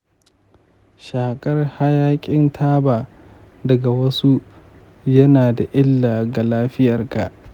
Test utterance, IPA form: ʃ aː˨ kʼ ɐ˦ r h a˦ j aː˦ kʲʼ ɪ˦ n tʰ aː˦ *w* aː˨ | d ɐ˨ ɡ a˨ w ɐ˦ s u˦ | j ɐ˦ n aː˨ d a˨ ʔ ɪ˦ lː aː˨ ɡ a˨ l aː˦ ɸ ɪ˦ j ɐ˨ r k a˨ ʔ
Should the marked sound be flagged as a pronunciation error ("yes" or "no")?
yes